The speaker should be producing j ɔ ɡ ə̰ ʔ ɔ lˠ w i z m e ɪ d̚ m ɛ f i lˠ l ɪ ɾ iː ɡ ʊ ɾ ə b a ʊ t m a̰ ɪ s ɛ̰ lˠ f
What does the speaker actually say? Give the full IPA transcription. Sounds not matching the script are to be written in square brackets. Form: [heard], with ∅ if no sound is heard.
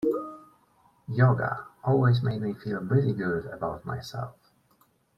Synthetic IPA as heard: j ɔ ɡ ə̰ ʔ ɔ lˠ w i z m e ɪ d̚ m [i] f i lˠ [ɹ] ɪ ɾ [i] ɡ ʊ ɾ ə b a ʊ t m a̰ ɪ s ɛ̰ lˠ f

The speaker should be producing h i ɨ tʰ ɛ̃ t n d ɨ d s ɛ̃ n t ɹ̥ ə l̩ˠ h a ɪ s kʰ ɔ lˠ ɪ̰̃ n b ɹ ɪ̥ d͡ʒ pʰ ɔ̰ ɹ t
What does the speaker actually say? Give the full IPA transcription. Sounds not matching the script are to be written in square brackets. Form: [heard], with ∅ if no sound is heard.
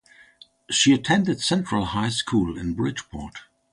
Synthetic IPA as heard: [ʃ] i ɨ tʰ ɛ̃ [∅] n d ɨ d s ɛ̃ n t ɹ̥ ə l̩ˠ h a ɪ s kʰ [u] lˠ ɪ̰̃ n b ɹ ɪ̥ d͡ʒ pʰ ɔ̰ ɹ t

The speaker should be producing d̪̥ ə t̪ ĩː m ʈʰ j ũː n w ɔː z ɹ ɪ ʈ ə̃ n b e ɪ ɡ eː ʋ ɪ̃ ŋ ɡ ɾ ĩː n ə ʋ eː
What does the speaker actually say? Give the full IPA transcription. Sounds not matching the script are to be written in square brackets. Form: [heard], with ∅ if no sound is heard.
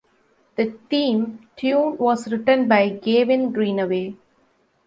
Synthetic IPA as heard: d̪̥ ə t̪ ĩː m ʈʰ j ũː n [ʋ] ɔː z [ɾ] ɪ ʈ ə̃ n b [a] ɪ ɡ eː ʋ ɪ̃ [n] ɡ ɾ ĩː n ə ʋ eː

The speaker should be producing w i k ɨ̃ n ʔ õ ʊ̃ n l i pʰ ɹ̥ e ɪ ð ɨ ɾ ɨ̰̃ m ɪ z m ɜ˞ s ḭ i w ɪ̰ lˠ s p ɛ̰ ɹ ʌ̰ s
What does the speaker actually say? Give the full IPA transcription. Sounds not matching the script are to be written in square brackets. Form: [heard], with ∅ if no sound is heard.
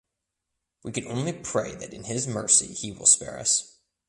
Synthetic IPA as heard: w i k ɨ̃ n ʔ õ ʊ̃ n l i pʰ ɹ̥ e ɪ ð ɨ ɾ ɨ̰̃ [n] ɪ z m ɜ˞ s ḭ i w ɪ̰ lˠ s p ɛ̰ ɹ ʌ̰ s

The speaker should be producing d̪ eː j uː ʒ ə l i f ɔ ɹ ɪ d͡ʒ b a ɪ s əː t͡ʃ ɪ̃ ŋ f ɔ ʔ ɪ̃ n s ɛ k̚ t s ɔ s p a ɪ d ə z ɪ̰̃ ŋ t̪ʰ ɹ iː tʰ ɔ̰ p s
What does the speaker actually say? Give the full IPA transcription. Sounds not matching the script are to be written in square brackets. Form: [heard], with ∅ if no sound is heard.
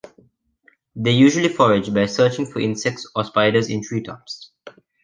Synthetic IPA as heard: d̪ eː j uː ʒ ə l i f ɔ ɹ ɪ d͡ʒ b a ɪ s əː t͡ʃ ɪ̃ ŋ f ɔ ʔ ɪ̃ n s ɛ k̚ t s ɔ s p a ɪ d ə z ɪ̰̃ [n] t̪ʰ ɹ iː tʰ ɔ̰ p s

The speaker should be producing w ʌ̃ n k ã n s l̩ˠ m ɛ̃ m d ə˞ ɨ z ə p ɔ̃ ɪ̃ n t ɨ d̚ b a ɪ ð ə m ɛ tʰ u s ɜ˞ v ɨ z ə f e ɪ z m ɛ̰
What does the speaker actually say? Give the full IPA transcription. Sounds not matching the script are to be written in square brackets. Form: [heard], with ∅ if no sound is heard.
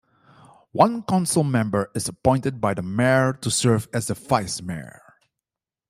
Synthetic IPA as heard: w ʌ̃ n k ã n s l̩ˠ m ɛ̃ m [b] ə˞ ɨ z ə p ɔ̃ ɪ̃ n t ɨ d̚ b a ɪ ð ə m ɛ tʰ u s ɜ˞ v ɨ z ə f [a] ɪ [s] m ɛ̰

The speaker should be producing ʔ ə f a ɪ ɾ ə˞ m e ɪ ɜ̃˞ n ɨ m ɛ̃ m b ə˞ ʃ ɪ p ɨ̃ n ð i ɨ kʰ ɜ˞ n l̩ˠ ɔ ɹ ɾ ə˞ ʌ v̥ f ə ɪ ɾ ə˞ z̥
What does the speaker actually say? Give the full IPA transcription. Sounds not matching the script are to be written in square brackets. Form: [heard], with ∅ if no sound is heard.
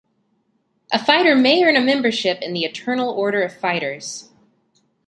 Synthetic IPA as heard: ʔ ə f a ɪ ɾ ə˞ m e ɪ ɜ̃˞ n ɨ m ɛ̃ m b ə˞ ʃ ɪ p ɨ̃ n ð i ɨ [tʰ] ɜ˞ n l̩ˠ ɔ ɹ ɾ ə˞ ʌ v̥ f [a] ɪ ɾ ə˞ z̥

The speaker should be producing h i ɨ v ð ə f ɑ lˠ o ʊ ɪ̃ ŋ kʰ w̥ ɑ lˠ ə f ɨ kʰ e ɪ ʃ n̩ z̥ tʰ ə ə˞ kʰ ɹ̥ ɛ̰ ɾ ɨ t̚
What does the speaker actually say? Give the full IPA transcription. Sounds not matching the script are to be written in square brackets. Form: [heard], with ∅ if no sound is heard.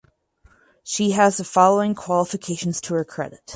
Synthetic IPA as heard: [ʃ] i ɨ [z] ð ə f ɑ lˠ o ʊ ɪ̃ ŋ kʰ w̥ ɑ lˠ ə f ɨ kʰ e ɪ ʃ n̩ z̥ tʰ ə ə˞ kʰ ɹ̥ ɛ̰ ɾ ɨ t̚

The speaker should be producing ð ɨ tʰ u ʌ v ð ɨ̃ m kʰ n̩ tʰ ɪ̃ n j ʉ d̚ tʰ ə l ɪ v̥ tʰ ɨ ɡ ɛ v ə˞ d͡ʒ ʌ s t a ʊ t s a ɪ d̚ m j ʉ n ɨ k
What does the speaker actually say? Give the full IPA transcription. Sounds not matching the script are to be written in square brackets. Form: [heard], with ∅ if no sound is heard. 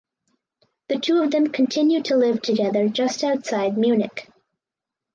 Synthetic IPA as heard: ð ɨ tʰ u ʌ v ð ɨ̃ m kʰ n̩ tʰ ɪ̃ n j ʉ d̚ tʰ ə l ɪ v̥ tʰ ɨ ɡ ɛ [ð] ə˞ d͡ʒ ʌ s t a ʊ t s a ɪ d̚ m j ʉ n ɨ k

